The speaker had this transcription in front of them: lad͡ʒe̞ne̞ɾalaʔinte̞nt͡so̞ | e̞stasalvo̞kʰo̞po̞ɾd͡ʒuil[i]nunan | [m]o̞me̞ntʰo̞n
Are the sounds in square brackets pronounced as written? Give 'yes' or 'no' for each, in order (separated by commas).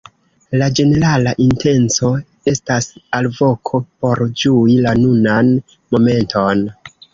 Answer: no, yes